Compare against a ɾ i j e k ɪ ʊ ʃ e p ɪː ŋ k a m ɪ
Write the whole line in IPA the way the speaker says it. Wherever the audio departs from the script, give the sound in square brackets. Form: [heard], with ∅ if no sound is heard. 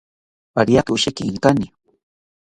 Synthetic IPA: a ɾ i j [a] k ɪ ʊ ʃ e [k] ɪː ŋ k a [n] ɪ